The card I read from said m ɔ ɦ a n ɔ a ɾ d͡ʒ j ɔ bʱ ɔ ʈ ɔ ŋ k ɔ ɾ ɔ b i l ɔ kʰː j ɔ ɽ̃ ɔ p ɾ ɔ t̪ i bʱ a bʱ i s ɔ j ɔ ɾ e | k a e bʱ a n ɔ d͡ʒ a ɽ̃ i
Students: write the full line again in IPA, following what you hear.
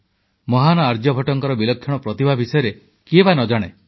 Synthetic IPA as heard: m ɔ ɦ a n ɔ a ɾ d͡ʒ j ɔ bʱ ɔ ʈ ɔ ŋ k ɔ ɾ ɔ b i l ɔ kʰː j ɔ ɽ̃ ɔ p ɾ ɔ t̪ i bʱ a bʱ i s ɔ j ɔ ɾ e | k i e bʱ a n ɔ d͡ʒ a ɽ̃ e